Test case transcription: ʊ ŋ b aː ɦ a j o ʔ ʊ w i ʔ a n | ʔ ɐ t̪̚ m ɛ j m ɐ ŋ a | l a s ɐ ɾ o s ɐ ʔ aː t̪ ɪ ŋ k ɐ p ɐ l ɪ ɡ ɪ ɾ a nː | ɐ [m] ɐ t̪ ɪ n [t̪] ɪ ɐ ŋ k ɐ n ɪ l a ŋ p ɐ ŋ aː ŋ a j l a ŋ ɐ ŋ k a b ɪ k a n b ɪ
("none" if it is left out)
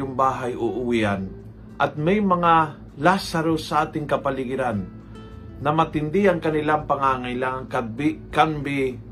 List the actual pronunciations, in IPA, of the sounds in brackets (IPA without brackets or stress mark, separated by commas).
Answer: m, d̪